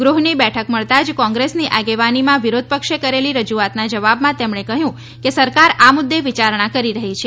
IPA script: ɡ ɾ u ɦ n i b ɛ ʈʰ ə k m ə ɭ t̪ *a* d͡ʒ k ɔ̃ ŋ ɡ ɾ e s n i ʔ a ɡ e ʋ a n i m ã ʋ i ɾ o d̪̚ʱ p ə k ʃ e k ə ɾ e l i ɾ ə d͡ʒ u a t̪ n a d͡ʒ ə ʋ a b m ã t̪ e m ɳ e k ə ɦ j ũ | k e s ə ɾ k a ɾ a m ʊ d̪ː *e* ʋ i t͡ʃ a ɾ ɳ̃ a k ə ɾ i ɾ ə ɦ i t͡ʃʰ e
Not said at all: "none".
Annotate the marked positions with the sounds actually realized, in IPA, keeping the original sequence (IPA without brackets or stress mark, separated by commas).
a, e